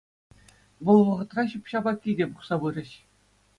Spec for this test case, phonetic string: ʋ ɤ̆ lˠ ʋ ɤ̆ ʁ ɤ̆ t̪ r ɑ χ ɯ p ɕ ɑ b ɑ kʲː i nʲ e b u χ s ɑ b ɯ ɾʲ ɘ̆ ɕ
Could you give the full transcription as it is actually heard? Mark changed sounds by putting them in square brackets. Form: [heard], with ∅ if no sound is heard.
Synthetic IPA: ʋ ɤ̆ lˠ ʋ ɤ̆ ʁ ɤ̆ t̪ r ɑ [ɕ] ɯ p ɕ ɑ b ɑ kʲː i [dʲ] e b u χ s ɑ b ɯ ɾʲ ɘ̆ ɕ